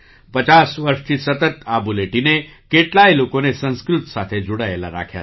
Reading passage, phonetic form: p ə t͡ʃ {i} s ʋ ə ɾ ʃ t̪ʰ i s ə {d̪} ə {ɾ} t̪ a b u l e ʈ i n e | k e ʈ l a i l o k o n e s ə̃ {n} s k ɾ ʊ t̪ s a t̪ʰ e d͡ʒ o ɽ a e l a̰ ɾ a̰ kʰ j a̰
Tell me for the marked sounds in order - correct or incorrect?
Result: incorrect: a, incorrect: t̪, incorrect: none, correct

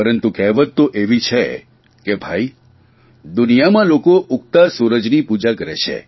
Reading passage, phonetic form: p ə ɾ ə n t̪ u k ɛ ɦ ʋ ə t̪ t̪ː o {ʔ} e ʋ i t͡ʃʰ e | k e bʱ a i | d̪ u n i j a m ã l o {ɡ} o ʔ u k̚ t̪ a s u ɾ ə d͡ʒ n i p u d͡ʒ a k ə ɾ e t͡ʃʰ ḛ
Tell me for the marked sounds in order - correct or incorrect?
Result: correct, incorrect: k

